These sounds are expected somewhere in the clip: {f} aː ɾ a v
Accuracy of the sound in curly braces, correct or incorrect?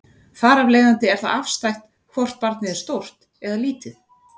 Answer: correct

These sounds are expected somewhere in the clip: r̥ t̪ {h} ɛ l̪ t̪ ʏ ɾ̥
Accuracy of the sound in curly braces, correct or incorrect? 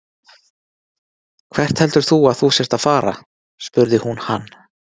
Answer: correct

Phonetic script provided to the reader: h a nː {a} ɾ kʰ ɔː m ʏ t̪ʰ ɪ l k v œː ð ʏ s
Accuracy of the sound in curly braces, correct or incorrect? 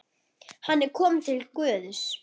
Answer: incorrect: ɛ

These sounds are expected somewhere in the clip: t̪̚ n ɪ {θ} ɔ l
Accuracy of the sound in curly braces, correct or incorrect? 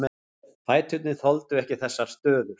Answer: correct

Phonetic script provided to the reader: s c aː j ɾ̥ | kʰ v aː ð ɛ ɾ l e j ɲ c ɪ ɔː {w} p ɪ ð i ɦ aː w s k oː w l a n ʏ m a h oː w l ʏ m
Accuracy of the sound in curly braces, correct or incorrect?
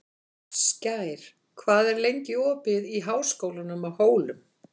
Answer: incorrect: none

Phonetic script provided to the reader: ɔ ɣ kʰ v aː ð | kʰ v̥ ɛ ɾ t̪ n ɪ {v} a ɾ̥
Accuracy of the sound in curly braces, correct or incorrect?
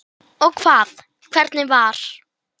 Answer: correct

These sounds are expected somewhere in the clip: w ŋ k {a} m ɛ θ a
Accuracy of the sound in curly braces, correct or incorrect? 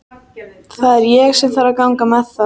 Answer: correct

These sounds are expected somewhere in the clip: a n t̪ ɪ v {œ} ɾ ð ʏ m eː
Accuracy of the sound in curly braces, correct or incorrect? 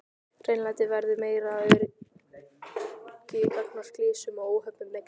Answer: incorrect: ɛ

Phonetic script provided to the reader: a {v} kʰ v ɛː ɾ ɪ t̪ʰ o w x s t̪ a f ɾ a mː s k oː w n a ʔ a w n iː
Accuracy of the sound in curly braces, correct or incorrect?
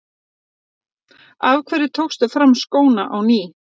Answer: correct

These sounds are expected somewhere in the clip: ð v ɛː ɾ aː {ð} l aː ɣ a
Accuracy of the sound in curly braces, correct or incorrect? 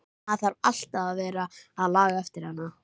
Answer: correct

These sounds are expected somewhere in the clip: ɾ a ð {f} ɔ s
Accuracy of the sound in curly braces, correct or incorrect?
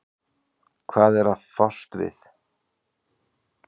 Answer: correct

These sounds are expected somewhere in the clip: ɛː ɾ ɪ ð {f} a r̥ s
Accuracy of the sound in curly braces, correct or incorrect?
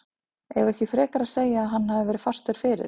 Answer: correct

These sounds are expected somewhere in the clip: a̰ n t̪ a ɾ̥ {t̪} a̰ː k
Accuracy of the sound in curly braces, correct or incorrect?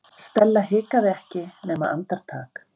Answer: incorrect: t̪ʰ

